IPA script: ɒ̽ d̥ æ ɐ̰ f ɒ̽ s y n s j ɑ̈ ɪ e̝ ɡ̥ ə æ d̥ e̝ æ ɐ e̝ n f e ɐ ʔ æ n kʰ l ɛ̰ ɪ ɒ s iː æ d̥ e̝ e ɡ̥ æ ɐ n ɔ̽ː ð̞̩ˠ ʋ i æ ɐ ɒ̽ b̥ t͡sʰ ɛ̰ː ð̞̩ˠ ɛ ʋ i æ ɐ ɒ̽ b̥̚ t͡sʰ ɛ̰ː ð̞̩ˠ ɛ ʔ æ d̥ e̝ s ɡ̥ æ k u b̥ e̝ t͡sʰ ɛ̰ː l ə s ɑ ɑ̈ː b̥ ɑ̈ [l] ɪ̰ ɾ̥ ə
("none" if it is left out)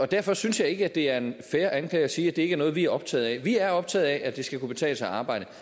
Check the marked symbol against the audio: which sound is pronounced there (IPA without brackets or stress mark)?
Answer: none